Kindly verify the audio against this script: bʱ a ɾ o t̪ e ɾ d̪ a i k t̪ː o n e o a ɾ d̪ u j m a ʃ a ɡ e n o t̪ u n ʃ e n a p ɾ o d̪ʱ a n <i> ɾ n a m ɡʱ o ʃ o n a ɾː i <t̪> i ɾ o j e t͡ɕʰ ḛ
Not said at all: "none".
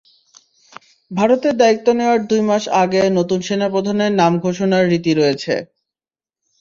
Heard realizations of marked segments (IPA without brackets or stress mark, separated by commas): e, t̪